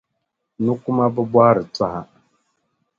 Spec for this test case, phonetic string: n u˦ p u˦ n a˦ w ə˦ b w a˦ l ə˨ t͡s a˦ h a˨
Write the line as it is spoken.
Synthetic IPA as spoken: n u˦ k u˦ m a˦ b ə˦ b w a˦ ɾ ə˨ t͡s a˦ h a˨